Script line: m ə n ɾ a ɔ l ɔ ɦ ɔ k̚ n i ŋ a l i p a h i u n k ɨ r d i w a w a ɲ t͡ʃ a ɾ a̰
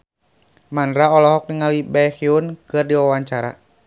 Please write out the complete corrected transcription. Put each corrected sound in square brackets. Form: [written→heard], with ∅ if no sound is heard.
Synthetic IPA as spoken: m [ə→a] n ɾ a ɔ l ɔ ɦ ɔ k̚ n i ŋ a l i [p→b] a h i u n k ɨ r d i w a w a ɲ t͡ʃ a ɾ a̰